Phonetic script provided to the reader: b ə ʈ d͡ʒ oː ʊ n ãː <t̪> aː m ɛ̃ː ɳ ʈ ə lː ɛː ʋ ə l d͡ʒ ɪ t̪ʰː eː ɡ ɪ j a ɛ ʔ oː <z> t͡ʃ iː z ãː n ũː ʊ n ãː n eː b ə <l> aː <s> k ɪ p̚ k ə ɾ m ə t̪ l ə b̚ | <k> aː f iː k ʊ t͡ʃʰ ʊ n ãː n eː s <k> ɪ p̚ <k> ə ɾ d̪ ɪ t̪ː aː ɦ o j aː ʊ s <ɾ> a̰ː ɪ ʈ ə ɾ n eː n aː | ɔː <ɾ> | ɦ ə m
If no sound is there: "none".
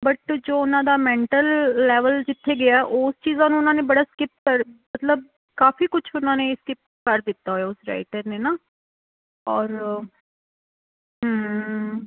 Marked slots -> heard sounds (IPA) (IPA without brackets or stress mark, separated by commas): d̪, s, ɽ, s, k, k, k, ɾ, ɾ